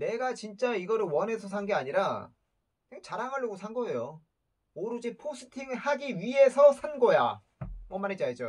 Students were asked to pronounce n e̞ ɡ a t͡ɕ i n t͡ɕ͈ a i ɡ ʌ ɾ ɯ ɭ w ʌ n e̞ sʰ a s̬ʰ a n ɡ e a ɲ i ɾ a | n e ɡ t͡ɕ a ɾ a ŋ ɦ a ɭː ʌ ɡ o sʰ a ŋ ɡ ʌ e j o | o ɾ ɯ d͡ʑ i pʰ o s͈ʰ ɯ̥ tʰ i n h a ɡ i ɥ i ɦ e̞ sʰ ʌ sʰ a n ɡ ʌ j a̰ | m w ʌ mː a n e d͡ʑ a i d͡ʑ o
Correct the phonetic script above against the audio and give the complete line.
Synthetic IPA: n e̞ ɡ a t͡ɕ i n t͡ɕ͈ a i ɡ ʌ ɾ ɯ ɭ w ʌ n e̞ sʰ ʌ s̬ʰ a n ɡ e a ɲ i ɾ a | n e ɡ t͡ɕ a ɾ a ŋ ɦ a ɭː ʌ ɡ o sʰ a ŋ ɡ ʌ e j o | o ɾ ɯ d͡ʑ i pʰ o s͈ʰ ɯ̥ tʰ i ŋ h a ɡ i ɥ i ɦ e̞ sʰ ʌ sʰ a n ɡ ʌ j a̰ | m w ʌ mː a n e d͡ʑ a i d͡ʑ o